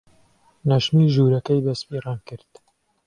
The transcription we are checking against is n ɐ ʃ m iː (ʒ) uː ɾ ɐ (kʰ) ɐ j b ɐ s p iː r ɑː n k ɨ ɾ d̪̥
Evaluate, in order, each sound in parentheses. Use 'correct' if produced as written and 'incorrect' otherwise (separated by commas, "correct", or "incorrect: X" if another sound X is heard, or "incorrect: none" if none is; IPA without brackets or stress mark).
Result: correct, incorrect: k